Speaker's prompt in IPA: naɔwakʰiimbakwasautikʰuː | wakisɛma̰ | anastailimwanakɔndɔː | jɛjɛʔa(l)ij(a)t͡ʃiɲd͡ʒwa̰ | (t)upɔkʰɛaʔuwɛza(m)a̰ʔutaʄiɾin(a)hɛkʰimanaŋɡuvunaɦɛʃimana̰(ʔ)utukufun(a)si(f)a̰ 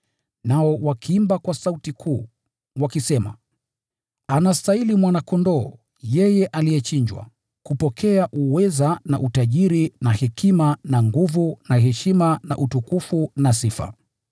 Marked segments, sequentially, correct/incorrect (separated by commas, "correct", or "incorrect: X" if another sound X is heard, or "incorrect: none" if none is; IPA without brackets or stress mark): correct, incorrect: ɛ, incorrect: k, incorrect: n, correct, correct, correct, correct